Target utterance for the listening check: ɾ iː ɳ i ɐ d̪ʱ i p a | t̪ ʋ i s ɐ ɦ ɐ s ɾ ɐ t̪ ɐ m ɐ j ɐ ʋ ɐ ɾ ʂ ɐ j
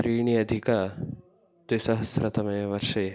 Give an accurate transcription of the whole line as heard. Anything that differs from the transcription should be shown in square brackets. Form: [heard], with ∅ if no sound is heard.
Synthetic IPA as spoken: ɾ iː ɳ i ɐ d̪ʱ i [k] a | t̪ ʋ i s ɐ ɦ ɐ s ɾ ɐ t̪ ɐ m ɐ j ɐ ʋ ɐ ɾ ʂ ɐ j

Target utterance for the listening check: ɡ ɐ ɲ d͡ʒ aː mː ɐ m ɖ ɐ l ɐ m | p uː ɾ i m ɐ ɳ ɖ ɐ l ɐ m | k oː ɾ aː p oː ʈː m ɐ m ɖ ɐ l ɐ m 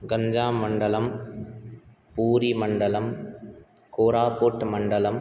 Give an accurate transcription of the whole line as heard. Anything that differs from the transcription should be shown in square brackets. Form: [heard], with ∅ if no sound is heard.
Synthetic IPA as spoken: ɡ ɐ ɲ d͡ʒ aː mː ɐ [ɳ] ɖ ɐ l ɐ m | p uː ɾ i m ɐ ɳ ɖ ɐ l ɐ m | k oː ɾ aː p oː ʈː m ɐ [ɳ] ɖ ɐ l ɐ m

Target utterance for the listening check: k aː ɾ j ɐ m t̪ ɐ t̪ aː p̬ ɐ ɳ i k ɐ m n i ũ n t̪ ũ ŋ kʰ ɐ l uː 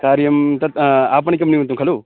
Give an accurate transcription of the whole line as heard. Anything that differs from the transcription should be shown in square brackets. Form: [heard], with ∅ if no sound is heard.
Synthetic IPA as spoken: k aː ɾ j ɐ m t̪ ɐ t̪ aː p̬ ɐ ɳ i k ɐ m n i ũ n t̪ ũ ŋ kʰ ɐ l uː

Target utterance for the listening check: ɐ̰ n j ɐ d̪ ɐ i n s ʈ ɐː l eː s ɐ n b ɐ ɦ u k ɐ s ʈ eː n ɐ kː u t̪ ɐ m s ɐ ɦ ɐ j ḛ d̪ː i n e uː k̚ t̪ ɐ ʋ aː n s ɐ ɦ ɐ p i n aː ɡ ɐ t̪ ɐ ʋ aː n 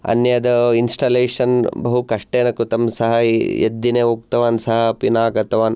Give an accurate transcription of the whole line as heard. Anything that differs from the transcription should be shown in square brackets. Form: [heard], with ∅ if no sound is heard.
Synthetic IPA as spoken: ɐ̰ n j ɐ d̪ ɐ i n s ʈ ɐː l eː [ʂ] ɐ n b ɐ ɦ u k ɐ [ʂ] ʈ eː n ɐ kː u t̪ ɐ m s ɐ ɦ ɐ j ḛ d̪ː i n e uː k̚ t̪ ɐ ʋ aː n s ɐ ɦ ɐ p i n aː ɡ ɐ t̪ ɐ ʋ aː n

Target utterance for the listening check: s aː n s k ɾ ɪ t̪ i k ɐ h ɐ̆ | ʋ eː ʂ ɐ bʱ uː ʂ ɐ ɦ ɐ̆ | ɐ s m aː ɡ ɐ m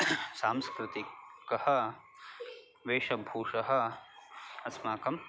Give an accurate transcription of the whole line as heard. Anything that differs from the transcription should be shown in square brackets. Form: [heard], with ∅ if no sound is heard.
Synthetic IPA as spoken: s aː [m] s k ɾ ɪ t̪ i k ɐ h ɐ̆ | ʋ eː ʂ ɐ bʱ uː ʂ ɐ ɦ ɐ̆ | ɐ s m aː [k] ɐ m

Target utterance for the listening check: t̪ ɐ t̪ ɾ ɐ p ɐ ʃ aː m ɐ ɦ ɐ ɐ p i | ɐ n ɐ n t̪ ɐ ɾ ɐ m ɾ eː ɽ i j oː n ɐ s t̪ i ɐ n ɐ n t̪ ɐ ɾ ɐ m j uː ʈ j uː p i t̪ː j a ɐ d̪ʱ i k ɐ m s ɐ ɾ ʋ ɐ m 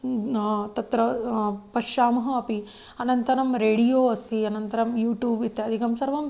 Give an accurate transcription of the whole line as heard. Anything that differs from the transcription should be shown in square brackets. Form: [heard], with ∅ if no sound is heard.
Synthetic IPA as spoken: t̪ ɐ t̪ ɾ ɐ p ɐ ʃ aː m ɐ ɦ ɐ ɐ p i | ɐ n ɐ n t̪ ɐ ɾ ɐ m ɾ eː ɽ i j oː [∅] ɐ s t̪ i ɐ n ɐ n t̪ ɐ ɾ ɐ m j uː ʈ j uː [b] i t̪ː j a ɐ d̪ʱ i k ɐ m s ɐ ɾ ʋ ɐ m

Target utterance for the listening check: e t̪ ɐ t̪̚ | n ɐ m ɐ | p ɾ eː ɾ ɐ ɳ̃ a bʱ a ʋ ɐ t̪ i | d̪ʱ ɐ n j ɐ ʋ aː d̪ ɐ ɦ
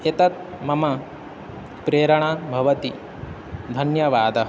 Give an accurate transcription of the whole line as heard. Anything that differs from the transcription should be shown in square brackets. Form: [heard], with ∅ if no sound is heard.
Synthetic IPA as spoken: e t̪ ɐ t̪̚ | [m] ɐ m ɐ | p ɾ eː ɾ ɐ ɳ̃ a bʱ [ɐ] ʋ ɐ t̪ i | d̪ʱ ɐ n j ɐ ʋ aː d̪ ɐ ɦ

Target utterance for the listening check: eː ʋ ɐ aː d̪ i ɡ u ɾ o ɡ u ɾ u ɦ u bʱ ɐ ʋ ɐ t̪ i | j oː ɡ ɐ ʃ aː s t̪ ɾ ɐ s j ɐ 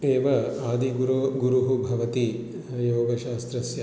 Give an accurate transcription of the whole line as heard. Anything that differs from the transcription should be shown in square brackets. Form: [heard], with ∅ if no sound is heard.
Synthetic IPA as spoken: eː ʋ ɐ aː d̪ i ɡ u ɾ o ɡ u ɾ u ɦ u bʱ ɐ ʋ ɐ t̪ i | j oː ɡ ɐ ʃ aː s t̪ ɾ ɐ s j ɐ

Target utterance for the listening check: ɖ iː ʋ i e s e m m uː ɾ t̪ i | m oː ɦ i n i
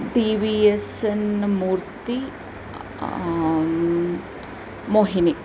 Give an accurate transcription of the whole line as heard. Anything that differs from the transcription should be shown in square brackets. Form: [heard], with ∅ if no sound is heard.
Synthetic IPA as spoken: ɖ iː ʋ i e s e [n] m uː ɾ t̪ i | m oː ɦ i n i

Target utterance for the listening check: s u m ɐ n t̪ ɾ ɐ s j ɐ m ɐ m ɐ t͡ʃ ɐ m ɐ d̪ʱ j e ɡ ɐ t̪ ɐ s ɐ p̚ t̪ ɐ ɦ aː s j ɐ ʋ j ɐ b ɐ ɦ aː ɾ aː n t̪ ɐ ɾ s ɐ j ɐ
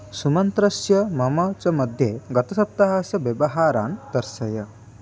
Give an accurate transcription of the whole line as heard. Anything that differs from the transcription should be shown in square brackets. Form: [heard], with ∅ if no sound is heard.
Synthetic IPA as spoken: s u m ɐ n t̪ ɾ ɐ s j ɐ m ɐ m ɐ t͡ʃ ɐ m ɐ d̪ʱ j e ɡ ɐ t̪ ɐ s ɐ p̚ t̪ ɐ ɦ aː s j ɐ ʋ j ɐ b ɐ ɦ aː ɾ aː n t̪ ɐ ɾ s ɐ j ɐ

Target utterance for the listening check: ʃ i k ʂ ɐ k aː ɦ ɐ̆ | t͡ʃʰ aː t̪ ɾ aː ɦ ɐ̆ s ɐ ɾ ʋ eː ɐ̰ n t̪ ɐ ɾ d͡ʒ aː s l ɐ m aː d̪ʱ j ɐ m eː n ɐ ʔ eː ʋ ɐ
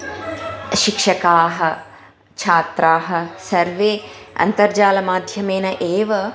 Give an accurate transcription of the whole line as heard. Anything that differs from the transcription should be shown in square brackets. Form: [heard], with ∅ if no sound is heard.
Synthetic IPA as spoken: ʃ i k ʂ ɐ k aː ɦ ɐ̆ | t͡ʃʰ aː t̪ ɾ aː ɦ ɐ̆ s ɐ ɾ ʋ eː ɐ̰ n t̪ ɐ ɾ d͡ʒ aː [∅] l ɐ m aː d̪ʱ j ɐ m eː n ɐ ʔ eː ʋ ɐ

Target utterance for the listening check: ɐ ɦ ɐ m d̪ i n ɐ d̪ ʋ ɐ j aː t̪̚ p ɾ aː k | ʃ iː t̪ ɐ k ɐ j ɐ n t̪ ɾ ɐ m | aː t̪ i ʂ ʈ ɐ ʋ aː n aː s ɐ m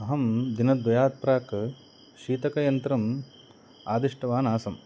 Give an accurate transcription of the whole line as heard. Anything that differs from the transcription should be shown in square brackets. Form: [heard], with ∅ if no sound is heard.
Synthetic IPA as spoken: ɐ ɦ ɐ m d̪ i n ɐ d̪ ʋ ɐ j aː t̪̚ p ɾ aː k | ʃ iː t̪ ɐ k ɐ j ɐ n t̪ ɾ ɐ m | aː [d̪] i ʂ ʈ ɐ ʋ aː n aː s ɐ m

